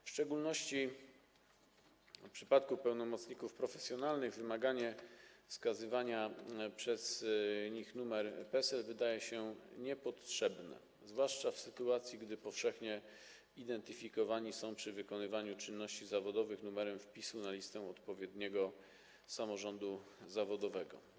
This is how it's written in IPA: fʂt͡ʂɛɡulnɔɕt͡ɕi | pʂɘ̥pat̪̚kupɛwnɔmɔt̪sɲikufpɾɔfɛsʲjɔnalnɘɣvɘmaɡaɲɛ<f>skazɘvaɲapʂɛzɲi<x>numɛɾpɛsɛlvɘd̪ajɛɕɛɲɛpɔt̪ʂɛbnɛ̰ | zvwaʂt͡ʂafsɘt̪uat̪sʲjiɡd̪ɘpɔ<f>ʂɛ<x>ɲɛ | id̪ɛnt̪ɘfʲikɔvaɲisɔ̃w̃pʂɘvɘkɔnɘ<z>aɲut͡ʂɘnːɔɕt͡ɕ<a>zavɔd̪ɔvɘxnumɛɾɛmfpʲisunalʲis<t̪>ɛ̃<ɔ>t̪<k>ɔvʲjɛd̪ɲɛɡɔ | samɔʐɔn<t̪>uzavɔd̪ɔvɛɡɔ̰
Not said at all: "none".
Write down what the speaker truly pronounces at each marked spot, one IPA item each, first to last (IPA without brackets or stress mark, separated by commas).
f, x, f, x, v, i, t̪, ɔ, p, d̪